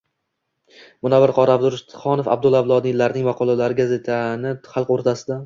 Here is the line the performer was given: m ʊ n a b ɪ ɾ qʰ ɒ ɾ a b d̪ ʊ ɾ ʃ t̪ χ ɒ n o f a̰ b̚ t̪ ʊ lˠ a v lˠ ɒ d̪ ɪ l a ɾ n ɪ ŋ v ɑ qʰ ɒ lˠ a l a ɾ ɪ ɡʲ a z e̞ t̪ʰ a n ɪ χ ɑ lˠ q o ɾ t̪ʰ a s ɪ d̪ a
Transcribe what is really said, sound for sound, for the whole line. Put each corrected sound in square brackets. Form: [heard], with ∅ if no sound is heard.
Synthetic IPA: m ʊ n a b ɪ ɾ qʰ ɒ ɾ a b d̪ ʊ ɾ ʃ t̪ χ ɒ n o f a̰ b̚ [d̪] ʊ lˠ a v lˠ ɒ d̪ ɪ l a ɾ n ɪ ŋ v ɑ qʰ ɒ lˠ a l a ɾ ɪ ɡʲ a z e̞ t̪ʰ a n ɪ χ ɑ lˠ q o ɾ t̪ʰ a s ɪ d̪ a